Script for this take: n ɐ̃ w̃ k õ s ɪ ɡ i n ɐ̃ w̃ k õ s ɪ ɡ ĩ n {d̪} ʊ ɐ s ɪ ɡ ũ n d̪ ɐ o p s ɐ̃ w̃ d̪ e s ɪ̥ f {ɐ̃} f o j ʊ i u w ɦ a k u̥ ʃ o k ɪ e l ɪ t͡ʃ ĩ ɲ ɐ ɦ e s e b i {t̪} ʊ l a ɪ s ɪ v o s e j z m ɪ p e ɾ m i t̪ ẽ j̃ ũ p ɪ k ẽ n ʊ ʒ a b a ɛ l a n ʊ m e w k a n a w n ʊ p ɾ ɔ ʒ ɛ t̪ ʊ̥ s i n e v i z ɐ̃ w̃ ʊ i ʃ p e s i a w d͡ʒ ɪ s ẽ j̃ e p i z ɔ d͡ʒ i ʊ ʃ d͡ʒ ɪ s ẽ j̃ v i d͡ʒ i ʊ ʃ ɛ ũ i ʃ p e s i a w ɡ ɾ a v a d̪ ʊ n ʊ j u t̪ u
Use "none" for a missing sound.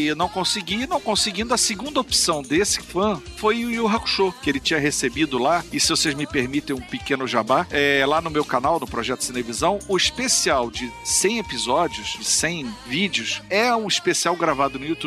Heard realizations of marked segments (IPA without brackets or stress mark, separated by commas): d̪, ɐ̃, d̪